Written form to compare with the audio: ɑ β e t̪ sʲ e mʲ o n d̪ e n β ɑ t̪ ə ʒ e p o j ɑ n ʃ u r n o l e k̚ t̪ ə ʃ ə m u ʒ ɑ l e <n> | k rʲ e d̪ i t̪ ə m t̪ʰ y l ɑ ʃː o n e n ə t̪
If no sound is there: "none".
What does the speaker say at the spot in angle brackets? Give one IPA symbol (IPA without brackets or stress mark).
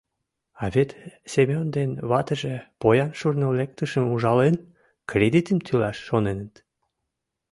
n